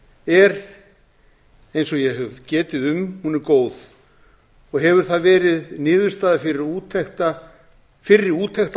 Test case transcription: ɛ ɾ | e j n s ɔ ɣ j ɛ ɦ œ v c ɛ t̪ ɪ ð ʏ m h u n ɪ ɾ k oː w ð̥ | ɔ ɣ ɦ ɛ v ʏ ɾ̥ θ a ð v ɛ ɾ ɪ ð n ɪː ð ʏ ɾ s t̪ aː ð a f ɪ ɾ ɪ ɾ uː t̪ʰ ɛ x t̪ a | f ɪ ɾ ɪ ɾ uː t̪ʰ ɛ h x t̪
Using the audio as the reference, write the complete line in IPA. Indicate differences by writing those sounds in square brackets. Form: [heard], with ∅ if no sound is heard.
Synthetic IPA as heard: ɛ ɾ | e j n s ɔ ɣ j ɛ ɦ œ v c [ɛː] t̪ ɪ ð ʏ m h u n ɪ ɾ k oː w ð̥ | ɔ ɣ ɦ ɛ v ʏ ɾ̥ θ a ð v [ɛː] ɾ ɪ ð n ɪː ð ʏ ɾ s t̪ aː ð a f ɪ ɾ ɪ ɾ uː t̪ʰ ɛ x t̪ a | f ɪ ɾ ɪ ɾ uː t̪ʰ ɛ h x t̪